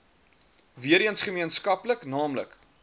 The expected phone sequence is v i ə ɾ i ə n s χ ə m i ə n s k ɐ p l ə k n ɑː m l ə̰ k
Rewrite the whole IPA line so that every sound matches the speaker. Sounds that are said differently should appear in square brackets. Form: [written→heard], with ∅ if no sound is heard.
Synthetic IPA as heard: v i ə ɾ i ə n s χ ə m i ə n s k ɐ p l ə k n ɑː m l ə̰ k

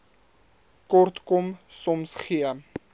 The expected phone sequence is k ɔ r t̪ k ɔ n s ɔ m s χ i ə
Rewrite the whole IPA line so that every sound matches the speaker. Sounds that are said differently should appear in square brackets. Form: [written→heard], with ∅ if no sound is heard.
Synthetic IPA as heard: k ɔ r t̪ k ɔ [n→m] s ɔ m s χ i ə

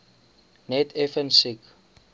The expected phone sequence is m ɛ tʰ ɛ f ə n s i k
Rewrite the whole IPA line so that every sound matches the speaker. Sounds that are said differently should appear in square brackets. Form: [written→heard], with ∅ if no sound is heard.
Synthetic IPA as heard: [m→n] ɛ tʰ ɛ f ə n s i k

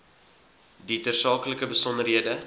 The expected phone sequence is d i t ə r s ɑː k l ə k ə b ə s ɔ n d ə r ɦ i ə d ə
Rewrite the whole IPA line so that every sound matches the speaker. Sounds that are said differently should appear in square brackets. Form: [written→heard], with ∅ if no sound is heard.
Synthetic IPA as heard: d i t ə r s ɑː k l ə k ə b ə s ɔ n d ə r ɦ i ə d ə

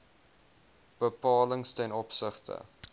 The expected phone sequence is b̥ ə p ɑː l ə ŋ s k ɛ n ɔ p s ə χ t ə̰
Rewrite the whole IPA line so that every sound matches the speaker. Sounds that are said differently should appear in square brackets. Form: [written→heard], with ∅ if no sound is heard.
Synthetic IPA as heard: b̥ ə p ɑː l ə ŋ s [k→t] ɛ n ɔ p s ə χ t ə̰

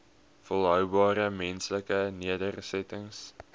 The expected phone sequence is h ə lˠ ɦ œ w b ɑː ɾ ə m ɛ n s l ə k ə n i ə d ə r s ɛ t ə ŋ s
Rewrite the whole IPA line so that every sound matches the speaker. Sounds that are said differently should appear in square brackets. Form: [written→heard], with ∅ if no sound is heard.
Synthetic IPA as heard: [h→f] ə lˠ ɦ œ w b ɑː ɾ ə m ɛ n s l ə k ə n i ə d ə r s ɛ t ə ŋ s

